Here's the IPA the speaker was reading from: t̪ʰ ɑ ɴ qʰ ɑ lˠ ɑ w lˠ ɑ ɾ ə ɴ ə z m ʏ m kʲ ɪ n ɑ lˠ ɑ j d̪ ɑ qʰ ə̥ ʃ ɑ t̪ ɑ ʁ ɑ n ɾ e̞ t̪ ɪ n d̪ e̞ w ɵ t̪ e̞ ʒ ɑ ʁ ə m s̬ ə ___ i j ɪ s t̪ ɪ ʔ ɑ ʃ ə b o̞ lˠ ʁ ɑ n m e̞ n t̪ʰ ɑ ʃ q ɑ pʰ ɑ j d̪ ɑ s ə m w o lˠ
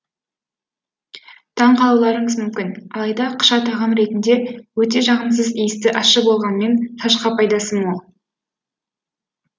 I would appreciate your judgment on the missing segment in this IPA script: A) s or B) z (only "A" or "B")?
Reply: B